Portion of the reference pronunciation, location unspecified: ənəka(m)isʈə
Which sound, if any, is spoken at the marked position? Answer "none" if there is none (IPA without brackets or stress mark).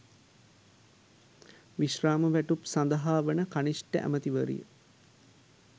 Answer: n